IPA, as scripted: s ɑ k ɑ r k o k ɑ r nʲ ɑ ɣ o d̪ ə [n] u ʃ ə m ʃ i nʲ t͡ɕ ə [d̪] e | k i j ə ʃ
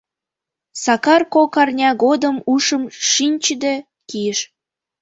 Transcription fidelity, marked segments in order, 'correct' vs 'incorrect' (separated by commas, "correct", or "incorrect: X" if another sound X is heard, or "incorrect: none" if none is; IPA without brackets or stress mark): incorrect: m, correct